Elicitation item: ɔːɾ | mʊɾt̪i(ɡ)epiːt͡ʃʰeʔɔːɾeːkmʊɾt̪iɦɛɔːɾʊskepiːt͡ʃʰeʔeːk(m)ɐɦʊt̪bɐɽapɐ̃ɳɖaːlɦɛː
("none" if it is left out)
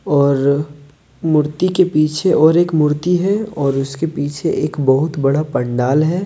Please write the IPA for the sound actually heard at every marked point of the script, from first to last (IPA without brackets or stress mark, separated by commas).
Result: k, b